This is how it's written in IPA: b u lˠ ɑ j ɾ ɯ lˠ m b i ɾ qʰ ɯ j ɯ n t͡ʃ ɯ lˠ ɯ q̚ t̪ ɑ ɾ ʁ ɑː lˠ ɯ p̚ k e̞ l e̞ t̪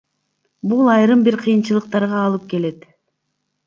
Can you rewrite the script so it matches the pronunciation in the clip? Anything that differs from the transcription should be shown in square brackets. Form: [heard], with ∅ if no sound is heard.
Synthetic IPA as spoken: b u lˠ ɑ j ɾ ɯ [∅] m b i ɾ qʰ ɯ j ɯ n t͡ʃ ɯ lˠ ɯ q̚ t̪ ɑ ɾ ʁ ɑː lˠ ɯ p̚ k e̞ l e̞ t̪